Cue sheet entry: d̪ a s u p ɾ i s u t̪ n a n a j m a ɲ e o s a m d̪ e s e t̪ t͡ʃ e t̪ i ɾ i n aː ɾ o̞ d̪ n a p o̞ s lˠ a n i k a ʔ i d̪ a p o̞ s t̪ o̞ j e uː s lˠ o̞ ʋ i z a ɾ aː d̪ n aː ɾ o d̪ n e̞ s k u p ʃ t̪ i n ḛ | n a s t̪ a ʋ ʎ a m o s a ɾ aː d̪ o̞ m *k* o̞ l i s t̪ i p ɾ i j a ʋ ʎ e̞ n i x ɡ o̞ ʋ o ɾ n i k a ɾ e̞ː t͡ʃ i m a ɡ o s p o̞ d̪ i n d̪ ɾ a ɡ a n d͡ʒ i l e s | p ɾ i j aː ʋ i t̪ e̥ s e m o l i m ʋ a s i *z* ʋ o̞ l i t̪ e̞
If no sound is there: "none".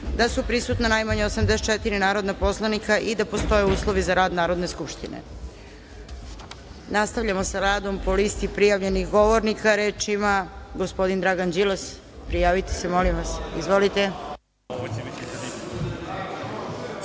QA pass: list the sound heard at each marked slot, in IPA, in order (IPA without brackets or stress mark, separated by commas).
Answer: p, z